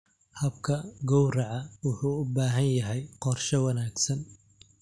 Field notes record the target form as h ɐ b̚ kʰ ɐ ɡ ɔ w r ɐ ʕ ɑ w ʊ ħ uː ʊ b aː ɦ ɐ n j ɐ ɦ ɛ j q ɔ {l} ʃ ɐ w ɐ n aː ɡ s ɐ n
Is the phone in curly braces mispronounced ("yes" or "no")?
yes